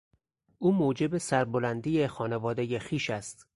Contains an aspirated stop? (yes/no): no